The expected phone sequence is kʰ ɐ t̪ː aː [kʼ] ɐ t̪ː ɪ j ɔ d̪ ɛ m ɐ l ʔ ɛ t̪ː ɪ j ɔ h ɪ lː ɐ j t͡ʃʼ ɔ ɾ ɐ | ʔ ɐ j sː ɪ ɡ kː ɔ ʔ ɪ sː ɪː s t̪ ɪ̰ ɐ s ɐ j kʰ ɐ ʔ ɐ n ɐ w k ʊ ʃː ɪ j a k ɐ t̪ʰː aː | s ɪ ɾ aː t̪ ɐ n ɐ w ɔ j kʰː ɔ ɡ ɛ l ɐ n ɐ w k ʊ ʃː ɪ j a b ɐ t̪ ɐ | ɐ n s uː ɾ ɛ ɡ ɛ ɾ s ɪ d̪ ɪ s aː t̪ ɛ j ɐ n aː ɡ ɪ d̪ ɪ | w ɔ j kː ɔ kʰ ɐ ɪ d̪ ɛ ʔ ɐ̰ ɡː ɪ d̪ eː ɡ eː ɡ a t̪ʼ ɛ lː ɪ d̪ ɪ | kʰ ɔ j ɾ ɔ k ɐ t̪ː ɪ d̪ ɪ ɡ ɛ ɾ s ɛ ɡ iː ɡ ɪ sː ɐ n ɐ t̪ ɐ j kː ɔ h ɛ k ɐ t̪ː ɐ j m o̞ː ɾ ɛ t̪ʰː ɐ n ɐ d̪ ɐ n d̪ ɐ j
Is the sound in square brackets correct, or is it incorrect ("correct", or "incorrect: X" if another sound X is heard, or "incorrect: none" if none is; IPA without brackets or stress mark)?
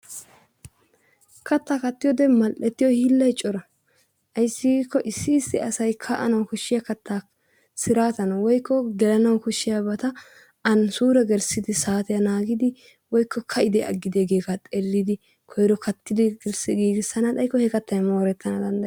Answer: incorrect: k